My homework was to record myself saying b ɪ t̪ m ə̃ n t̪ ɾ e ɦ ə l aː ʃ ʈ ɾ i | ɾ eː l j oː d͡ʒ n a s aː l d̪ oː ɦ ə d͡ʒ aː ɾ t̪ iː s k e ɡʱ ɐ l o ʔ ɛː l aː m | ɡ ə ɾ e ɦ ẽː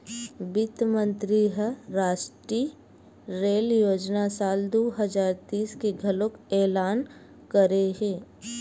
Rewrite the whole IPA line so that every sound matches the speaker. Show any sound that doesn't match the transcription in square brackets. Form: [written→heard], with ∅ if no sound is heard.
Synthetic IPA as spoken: b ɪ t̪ m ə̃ n t̪ ɾ [e→i] ɦ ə [l→ɾ] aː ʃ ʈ ɾ i | ɾ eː l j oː d͡ʒ n a s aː l d̪ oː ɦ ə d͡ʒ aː ɾ t̪ iː s k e ɡʱ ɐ l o [ʔ→k] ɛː l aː [m→n] | [ɡ→k] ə ɾ e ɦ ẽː